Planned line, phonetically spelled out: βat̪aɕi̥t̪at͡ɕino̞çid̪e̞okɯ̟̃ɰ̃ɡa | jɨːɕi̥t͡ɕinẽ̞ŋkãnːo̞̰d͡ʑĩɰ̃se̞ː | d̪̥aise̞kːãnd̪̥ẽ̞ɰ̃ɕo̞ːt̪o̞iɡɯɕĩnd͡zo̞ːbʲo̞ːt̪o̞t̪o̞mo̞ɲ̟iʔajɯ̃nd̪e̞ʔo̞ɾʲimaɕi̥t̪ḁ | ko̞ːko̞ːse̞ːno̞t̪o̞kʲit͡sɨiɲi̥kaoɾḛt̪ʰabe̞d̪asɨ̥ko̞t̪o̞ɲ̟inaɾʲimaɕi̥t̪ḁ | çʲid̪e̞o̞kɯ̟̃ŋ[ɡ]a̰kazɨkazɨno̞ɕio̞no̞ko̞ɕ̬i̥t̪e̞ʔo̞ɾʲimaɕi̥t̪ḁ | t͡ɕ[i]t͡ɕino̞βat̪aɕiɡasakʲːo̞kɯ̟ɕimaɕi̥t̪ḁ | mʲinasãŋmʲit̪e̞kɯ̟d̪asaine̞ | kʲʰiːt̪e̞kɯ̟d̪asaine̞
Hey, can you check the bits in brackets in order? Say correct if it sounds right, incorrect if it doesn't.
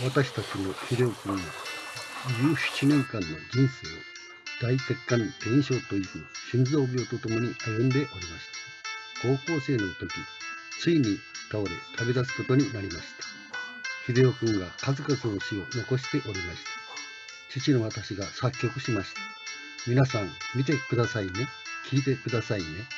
correct, correct

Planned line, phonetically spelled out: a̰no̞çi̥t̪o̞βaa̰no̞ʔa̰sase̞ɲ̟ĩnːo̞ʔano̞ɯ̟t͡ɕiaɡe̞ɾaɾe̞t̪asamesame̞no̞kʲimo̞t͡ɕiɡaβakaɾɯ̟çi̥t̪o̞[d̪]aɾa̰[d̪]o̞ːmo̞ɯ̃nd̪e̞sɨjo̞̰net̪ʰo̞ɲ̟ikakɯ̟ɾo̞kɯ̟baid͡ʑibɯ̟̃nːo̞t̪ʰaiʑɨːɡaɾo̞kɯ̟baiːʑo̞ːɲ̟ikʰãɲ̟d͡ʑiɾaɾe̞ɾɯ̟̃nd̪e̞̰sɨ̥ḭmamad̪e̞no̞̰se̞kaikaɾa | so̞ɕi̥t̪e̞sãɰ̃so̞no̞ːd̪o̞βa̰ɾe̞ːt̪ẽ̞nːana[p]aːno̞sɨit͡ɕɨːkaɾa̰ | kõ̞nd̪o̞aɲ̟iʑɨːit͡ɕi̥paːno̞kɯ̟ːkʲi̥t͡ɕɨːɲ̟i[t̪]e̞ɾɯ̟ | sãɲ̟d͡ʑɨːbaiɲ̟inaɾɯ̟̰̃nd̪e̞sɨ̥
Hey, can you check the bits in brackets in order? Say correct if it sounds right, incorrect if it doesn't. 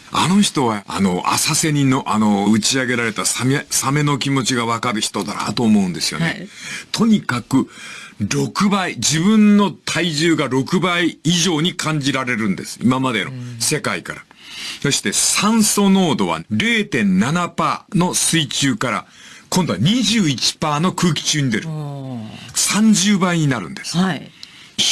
correct, incorrect: t̪, correct, incorrect: d̪

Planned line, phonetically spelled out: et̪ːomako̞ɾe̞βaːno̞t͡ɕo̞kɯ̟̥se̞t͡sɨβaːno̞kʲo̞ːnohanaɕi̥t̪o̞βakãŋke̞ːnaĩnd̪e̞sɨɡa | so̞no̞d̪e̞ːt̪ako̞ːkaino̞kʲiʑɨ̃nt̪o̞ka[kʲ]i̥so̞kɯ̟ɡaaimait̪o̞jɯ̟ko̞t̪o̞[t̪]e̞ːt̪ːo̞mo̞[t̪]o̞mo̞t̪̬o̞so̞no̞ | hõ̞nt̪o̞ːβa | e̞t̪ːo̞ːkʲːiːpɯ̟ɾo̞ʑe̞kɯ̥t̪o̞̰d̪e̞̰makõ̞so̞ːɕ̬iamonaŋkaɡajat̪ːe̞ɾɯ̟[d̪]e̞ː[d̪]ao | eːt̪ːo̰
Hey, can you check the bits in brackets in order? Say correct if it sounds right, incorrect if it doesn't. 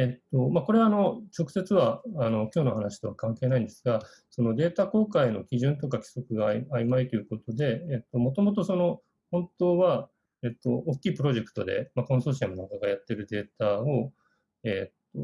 correct, incorrect: d̪, correct, correct, incorrect: t̪

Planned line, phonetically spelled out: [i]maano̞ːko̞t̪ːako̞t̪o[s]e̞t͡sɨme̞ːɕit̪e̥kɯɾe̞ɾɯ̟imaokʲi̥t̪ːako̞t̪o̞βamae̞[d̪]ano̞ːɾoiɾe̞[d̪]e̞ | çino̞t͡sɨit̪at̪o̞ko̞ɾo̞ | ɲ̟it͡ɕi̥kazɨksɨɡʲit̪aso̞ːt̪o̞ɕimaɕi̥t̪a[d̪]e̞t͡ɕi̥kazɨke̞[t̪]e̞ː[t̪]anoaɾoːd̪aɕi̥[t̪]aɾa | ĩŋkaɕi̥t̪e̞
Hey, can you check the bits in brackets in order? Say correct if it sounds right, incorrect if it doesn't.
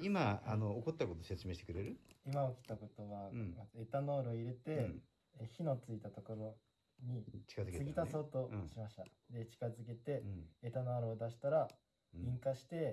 correct, correct, incorrect: t̪, incorrect: t̪, correct, correct, correct, correct

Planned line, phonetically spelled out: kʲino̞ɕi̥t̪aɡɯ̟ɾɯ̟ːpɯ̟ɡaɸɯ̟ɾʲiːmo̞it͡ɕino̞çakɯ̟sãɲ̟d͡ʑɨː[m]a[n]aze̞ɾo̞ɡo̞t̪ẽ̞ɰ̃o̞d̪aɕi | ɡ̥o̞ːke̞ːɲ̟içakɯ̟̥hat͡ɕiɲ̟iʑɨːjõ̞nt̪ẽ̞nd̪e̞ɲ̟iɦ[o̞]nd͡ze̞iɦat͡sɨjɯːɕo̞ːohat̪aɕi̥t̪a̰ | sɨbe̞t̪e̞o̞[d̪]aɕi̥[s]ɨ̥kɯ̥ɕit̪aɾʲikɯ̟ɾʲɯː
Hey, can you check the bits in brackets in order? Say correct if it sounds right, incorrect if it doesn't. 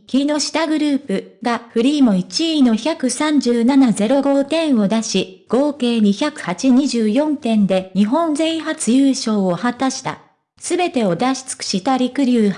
incorrect: n, correct, incorrect: õ̞, correct, incorrect: t͡s

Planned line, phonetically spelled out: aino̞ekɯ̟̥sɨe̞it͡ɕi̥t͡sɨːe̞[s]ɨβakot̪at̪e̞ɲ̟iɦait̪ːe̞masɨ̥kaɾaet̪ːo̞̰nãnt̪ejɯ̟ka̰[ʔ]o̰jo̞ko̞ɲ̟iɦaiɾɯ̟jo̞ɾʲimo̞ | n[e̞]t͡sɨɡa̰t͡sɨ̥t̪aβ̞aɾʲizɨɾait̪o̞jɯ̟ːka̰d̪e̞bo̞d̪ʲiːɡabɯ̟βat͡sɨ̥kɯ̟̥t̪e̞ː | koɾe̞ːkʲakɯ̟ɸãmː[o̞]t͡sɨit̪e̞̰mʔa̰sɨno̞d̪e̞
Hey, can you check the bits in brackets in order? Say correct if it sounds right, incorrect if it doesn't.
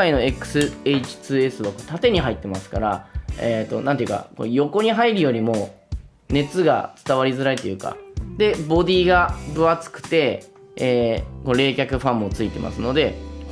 correct, incorrect: k, correct, correct

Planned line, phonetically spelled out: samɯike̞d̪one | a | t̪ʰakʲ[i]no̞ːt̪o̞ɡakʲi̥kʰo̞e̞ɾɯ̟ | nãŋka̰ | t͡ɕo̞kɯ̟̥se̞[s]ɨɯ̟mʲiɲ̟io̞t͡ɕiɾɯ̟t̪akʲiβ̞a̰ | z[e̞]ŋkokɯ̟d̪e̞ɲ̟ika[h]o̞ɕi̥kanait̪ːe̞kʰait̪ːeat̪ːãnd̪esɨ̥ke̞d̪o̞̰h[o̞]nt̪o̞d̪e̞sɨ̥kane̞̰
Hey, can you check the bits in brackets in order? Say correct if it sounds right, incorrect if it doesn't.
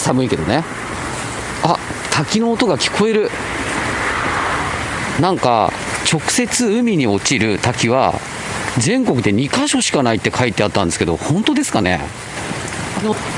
correct, incorrect: t͡s, incorrect: ẽ̞, incorrect: ɕ, incorrect: õ̞

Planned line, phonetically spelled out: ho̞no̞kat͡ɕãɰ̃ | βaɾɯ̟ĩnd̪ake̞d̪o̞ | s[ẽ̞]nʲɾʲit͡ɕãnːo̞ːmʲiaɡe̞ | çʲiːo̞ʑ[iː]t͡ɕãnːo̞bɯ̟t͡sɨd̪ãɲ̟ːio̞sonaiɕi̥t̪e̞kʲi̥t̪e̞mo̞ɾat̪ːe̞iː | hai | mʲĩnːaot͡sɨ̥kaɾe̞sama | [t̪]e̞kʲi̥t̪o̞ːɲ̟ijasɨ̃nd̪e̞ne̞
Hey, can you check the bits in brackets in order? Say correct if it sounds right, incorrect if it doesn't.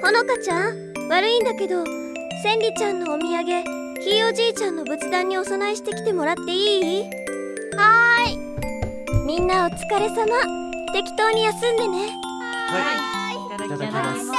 correct, correct, correct

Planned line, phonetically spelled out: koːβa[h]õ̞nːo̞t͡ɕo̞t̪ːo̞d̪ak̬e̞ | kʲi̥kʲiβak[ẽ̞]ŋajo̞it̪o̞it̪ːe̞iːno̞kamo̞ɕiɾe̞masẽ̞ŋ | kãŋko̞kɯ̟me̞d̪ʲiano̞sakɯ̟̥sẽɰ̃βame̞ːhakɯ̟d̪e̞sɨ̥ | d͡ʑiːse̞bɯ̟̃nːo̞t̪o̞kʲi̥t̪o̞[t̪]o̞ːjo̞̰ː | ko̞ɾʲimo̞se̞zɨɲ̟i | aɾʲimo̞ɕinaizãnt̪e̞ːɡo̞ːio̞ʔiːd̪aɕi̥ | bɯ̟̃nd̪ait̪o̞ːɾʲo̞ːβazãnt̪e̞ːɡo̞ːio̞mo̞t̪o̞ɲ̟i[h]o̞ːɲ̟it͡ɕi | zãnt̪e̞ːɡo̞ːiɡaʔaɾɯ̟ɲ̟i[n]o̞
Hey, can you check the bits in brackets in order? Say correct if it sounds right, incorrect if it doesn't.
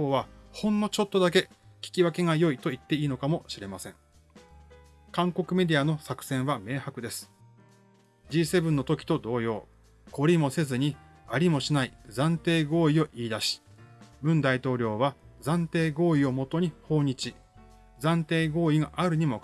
correct, incorrect: e̞, incorrect: d̪, correct, incorrect: m

